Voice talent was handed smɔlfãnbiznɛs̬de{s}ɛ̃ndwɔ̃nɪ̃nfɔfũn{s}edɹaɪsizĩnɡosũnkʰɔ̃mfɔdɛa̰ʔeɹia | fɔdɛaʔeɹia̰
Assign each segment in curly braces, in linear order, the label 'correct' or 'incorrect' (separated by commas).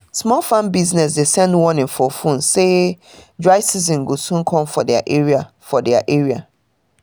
correct, correct